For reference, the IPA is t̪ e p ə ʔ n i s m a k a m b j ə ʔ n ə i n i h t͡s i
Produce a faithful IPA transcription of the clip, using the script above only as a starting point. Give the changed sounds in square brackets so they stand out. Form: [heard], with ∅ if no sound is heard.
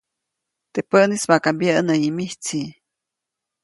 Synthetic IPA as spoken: t̪ e p ə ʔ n i s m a k a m b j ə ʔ n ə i [m] i h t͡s i